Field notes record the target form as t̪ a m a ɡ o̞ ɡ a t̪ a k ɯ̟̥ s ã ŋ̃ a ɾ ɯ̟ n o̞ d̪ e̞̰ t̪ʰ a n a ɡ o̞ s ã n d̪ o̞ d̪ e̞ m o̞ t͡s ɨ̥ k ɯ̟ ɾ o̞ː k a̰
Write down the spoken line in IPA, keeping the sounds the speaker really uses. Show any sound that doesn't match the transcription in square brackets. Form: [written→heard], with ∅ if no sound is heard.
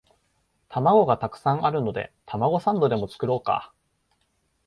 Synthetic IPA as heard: t̪ a m a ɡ o̞ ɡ a t̪ a k ɯ̟̥ s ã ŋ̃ a ɾ ɯ̟ n o̞ d̪ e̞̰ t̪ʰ a [n→m] a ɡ o̞ s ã n d̪ o̞ d̪ e̞ m o̞ t͡s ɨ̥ k ɯ̟ ɾ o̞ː k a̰